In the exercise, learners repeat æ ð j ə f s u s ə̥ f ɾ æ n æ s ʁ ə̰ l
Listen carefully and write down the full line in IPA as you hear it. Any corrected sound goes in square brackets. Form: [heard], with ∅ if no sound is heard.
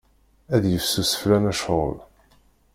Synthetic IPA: æ ð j ə f s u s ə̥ f [l] æ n æ [ʃ] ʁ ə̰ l

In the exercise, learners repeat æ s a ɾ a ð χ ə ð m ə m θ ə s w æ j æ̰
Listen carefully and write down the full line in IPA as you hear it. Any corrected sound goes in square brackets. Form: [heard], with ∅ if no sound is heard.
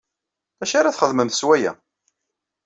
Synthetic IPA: æ [ʃ] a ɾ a [θ] χ ə ð m ə m θ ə s w æ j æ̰

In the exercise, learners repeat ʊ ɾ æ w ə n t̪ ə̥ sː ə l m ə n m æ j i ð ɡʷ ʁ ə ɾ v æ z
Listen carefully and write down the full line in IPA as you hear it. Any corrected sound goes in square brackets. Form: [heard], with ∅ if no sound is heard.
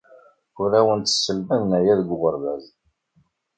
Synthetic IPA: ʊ ɾ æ w ə n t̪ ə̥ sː ə l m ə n [n] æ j [æ] ð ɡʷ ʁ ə ɾ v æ z

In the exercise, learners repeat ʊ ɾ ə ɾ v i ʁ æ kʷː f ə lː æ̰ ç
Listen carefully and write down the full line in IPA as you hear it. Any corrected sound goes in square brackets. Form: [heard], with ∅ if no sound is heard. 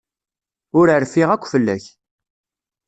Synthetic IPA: ʊ ɾ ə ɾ [f] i ʁ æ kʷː f ə lː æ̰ ç

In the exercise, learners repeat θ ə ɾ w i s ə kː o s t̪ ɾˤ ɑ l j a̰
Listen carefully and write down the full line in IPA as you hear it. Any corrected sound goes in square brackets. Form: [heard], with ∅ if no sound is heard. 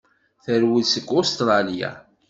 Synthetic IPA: θ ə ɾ w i s ə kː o s t̪ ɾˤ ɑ l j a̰

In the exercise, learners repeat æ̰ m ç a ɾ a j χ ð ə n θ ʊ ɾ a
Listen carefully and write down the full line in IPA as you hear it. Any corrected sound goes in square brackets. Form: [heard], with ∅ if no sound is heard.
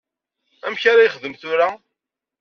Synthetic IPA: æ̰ m ç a ɾ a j χ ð ə [m] θ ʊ ɾ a

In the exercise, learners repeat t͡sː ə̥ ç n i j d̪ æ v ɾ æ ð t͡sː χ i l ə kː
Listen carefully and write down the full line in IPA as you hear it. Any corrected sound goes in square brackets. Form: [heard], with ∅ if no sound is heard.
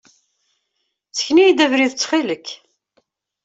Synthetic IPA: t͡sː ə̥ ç n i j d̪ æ v ɾ [i] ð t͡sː χ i l ə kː

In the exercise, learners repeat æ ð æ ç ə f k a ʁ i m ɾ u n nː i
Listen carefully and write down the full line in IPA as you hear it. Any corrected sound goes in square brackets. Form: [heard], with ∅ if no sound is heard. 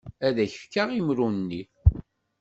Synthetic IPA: æ ð æ ç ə f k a ʁ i m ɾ u n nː i

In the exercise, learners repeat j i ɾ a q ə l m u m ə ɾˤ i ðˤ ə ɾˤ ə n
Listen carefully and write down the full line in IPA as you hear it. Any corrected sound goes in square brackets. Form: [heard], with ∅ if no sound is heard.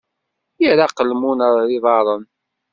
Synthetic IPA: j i ɾ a q ə l m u [n] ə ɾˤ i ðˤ [ɑ] ɾˤ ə n

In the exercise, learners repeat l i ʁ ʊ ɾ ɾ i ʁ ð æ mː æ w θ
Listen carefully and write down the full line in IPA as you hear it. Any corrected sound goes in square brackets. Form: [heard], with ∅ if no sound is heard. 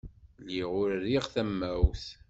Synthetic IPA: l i ʁ ʊ ɾ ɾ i ʁ [θ] æ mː æ w θ

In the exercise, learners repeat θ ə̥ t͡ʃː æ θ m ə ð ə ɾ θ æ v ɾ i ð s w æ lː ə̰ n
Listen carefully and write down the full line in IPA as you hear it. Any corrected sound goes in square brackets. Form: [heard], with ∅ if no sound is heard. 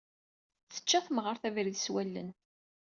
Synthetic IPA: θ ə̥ t͡ʃː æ θ m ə [ʁ] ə ɾ θ æ v ɾ i ð s w æ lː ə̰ n

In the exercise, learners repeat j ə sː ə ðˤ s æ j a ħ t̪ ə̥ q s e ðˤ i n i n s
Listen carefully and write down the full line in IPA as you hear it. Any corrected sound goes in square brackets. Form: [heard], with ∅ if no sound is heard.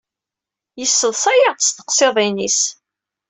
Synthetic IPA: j ə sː ə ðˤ s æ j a [s] t̪ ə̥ q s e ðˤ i n i [∅] s

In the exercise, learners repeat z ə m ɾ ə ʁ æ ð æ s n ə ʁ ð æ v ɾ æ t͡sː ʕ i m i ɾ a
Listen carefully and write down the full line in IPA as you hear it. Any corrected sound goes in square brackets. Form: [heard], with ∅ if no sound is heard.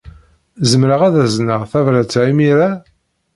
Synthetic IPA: z ə m ɾ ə ʁ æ ð æ [z] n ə ʁ [θ] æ v ɾ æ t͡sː ʕ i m i ɾ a

